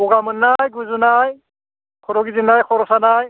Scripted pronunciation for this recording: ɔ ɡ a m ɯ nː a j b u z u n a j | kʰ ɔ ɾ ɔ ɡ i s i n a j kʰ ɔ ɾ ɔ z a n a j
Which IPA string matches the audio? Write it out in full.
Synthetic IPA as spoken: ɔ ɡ a m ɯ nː a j ɡ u z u n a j | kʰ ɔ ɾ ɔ ɡ i z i n a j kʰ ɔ ɾ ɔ s a n a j